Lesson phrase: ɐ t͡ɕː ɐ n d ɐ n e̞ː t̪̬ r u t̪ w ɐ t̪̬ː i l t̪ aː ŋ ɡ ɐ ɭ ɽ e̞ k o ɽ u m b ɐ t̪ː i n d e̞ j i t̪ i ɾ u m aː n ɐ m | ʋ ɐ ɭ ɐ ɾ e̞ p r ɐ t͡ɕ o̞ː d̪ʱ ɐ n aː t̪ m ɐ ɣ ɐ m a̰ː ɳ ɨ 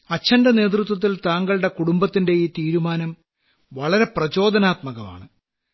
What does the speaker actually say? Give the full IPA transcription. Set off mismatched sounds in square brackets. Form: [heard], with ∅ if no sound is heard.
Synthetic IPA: ɐ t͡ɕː ɐ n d ɐ n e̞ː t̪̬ r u t̪ w ɐ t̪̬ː i l t̪ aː ŋ ɡ ɐ ɭ ɽ e̞ k [u] ɽ u m b ɐ t̪ː i n d e̞ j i t̪ [iː] ɾ u m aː n ɐ m | ʋ ɐ ɭ ɐ ɾ e̞ p r ɐ t͡ɕ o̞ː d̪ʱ ɐ n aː t̪ m ɐ ɣ ɐ m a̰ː ɳ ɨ